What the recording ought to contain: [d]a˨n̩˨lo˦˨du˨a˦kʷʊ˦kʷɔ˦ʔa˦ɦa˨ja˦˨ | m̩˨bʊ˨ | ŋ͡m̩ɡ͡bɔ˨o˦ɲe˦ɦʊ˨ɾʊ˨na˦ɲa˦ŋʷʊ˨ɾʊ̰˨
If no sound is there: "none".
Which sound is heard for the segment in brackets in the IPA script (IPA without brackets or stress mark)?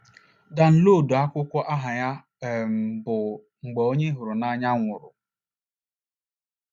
d